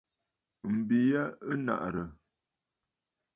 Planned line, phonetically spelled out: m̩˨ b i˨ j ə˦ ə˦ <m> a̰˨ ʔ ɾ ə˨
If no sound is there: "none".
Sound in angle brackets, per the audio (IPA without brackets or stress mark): n